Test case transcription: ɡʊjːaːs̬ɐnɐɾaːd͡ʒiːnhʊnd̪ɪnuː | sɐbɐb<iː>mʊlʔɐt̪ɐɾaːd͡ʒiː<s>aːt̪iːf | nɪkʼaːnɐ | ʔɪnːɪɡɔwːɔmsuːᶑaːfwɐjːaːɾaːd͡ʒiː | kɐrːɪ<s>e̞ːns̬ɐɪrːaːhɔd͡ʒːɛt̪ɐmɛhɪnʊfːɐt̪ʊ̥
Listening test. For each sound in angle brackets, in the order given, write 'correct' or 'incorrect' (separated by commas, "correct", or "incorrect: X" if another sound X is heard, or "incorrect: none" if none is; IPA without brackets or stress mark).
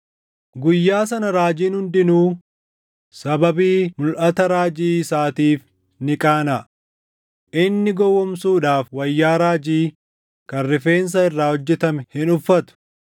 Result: correct, correct, incorrect: f